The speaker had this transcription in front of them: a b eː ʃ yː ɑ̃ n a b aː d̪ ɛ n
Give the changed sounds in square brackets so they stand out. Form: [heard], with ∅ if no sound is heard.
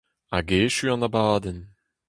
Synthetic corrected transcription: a [ɡ] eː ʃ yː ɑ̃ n a b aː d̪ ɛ n